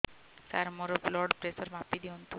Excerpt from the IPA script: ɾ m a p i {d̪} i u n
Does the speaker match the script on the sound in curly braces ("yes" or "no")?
yes